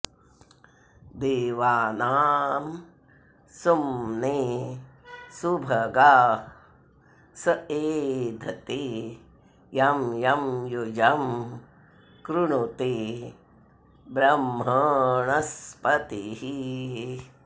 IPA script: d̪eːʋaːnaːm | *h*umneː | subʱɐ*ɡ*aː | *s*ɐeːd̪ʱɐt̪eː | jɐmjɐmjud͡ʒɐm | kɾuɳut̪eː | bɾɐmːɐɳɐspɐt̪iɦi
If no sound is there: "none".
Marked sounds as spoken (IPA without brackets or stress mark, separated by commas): s, ɡ, s